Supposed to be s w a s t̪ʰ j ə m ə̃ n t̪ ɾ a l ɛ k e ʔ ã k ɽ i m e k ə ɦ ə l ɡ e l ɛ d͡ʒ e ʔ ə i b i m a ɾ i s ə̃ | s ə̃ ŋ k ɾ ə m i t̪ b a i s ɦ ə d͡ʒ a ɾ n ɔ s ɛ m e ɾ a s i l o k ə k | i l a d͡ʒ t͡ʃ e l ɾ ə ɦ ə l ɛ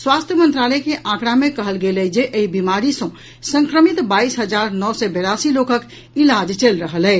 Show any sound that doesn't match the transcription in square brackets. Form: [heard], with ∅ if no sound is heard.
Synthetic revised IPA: s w a s t̪ʰ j ə m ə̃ n t̪ ɾ a l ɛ k e ʔ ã k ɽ [a] m e k ə ɦ ə l ɡ e l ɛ d͡ʒ e ʔ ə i b i m a ɾ i s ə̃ | s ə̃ ŋ k ɾ ə m i t̪ b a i s ɦ ə d͡ʒ a ɾ n ɔ s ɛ [b] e ɾ a s i l o k ə k | i l a d͡ʒ t͡ʃ e l ɾ ə ɦ ə l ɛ